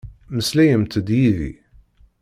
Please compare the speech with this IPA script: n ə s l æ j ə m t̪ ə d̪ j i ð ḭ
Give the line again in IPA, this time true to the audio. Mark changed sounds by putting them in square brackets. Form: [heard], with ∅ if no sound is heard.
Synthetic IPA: [m] ə s l æ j ə m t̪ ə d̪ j i ð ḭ